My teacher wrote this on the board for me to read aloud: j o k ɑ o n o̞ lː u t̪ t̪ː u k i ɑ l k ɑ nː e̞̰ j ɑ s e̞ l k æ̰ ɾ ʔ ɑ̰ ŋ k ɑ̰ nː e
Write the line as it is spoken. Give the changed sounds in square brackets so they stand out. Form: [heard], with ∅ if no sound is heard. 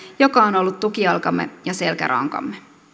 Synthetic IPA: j o k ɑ o n o̞ lː u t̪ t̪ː u k i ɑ l k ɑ [mː] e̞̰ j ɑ s e̞ l k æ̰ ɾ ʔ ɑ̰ ŋ k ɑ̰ [mː] e